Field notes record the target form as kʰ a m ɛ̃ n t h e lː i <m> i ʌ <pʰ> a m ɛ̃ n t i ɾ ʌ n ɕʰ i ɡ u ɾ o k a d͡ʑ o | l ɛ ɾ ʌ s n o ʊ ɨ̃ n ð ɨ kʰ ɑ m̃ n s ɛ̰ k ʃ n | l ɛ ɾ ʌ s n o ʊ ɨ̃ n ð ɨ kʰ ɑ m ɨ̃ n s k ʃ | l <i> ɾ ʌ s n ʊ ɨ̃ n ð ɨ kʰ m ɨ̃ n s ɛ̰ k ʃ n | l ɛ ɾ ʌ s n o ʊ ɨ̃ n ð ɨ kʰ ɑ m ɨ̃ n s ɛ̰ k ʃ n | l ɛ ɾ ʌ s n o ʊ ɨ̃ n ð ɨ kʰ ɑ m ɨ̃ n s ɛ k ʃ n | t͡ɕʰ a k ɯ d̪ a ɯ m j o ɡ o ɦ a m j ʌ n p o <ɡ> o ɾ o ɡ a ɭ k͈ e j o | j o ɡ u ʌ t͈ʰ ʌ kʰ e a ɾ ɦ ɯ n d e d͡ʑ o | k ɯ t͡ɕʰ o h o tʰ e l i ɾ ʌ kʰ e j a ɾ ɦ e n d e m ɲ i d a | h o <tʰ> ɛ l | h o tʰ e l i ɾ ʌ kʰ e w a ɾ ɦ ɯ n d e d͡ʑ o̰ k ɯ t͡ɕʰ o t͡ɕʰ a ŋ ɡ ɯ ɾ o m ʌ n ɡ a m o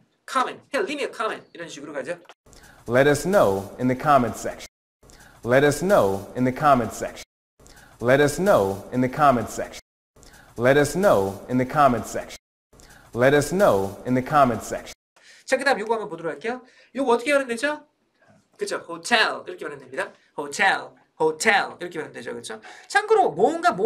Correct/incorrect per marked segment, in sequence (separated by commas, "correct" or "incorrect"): correct, incorrect, incorrect, incorrect, correct